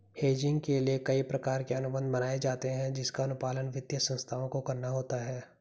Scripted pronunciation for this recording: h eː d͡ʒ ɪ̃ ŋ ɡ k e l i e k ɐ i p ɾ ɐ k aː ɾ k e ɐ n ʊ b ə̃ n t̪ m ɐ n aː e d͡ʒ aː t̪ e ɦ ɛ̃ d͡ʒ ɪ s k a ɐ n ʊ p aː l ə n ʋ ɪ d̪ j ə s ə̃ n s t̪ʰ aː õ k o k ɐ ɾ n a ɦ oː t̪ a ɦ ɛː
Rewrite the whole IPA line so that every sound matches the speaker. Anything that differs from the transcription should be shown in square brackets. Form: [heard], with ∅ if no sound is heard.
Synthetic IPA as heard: h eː d͡ʒ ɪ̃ ŋ ɡ k e l i e k ɐ i p ɾ ɐ k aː ɾ k e ɐ n ʊ b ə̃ n [d̪] m ɐ n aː e d͡ʒ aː t̪ e ɦ ɛ̃ d͡ʒ ɪ s k a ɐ n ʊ p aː l ə n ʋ ɪ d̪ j ə s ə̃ n s t̪ʰ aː õ k o k ɐ ɾ n a ɦ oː t̪ a ɦ ɛː